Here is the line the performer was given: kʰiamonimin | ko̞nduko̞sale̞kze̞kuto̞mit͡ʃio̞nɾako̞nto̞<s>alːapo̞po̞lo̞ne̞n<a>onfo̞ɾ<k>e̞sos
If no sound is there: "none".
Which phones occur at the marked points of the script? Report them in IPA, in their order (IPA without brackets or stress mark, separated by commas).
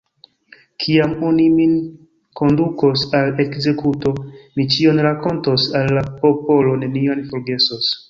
s, i, ɡ